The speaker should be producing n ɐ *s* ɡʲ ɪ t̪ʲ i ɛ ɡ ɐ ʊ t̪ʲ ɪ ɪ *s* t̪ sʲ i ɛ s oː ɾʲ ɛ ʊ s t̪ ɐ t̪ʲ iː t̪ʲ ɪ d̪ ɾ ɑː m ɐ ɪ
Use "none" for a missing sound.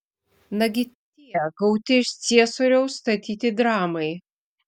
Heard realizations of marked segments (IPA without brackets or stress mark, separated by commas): none, ʃ